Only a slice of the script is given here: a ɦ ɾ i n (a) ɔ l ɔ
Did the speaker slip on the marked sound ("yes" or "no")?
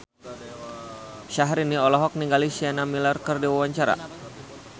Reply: yes